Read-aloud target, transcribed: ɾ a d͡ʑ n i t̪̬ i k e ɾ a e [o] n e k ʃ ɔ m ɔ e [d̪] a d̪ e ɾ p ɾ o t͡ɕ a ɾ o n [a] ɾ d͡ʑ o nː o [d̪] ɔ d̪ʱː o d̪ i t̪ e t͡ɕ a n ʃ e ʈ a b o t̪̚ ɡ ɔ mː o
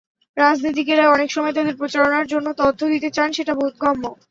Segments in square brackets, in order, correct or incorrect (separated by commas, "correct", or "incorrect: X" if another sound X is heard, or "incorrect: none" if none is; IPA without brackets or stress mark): incorrect: ɔ, incorrect: t̪, correct, incorrect: t̪